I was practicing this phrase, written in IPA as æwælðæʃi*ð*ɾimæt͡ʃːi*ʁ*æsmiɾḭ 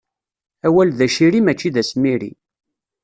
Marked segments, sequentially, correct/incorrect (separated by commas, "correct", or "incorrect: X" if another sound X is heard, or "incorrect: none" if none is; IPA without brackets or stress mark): incorrect: none, incorrect: ð